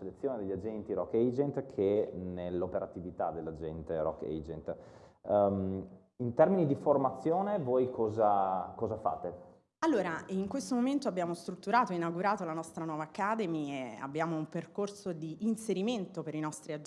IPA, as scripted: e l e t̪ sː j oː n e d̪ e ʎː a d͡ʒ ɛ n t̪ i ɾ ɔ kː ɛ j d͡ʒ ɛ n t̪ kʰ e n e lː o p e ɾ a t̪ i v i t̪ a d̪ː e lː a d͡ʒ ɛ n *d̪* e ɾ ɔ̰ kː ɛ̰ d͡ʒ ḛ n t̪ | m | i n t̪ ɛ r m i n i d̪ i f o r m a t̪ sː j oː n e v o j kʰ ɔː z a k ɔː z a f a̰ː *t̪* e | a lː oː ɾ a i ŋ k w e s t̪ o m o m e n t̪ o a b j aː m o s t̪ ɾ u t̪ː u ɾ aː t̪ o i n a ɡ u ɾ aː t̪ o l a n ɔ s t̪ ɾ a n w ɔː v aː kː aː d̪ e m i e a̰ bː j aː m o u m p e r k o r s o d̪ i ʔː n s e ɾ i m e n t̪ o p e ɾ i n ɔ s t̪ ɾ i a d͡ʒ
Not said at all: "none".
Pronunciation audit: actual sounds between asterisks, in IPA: t̪, t̪

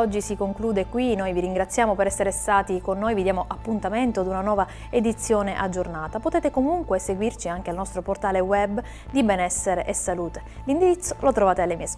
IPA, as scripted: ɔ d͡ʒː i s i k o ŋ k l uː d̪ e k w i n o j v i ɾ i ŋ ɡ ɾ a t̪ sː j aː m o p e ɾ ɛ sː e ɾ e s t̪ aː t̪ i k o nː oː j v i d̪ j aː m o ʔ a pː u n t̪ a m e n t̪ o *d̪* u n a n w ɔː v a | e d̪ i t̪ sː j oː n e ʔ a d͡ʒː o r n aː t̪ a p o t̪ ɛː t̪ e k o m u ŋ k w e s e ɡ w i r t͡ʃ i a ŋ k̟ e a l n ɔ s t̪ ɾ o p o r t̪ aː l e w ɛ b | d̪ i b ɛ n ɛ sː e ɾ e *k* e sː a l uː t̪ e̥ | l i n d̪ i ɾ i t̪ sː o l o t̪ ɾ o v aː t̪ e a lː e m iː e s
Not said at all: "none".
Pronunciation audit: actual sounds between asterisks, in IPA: d̪, ʔ

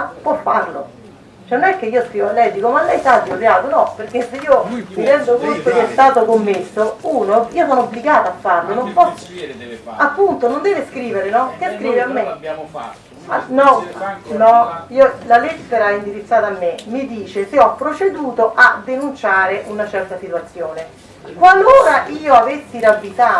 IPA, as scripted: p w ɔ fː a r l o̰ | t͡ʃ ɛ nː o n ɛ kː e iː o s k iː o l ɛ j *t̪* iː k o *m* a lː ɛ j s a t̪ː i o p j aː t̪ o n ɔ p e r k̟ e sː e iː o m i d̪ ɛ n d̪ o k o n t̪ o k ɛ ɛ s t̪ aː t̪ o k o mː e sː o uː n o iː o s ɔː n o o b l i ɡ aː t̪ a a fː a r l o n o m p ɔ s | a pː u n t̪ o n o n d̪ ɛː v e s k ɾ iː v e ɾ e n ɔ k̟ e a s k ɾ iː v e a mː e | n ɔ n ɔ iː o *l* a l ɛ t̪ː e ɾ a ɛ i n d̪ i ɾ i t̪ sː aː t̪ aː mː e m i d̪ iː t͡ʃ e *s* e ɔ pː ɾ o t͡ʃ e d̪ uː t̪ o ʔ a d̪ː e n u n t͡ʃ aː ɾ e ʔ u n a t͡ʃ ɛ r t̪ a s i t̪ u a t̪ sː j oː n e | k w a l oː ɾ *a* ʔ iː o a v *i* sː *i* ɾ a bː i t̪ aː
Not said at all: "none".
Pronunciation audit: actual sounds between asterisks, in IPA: d̪, m, l, s, a, e, i

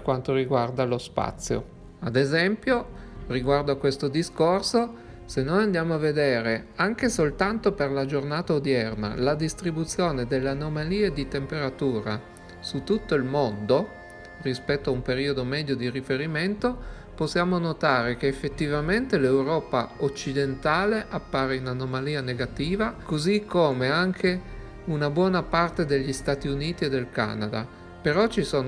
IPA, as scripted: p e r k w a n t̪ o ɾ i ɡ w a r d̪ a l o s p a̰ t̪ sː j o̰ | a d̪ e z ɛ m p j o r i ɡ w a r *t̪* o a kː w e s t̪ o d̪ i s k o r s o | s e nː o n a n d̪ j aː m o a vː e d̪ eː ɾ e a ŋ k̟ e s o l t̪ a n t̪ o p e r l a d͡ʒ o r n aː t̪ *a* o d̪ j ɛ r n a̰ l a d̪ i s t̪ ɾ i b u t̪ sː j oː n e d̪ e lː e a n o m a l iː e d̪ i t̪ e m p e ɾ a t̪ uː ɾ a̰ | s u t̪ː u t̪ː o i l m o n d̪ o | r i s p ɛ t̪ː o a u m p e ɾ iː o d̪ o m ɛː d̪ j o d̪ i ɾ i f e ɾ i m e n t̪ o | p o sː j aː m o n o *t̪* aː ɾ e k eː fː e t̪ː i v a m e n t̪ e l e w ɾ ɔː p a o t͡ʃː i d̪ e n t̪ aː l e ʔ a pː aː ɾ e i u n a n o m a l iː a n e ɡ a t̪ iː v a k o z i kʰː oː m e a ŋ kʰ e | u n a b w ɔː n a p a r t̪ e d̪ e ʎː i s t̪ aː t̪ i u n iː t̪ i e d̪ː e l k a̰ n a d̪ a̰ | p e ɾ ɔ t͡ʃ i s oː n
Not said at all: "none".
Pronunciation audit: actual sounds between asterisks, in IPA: d̪, a, t̪

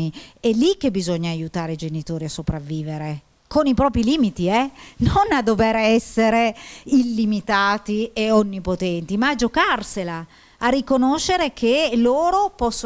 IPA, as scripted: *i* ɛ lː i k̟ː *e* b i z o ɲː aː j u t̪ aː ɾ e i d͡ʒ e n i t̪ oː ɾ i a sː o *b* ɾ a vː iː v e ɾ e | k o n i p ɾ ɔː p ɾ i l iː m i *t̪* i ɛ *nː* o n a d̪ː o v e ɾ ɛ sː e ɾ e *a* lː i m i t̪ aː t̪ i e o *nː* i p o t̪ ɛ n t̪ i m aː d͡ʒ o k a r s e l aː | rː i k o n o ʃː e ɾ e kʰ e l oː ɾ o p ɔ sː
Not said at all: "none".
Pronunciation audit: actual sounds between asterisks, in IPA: i, e, p, t̪, n, i, nː

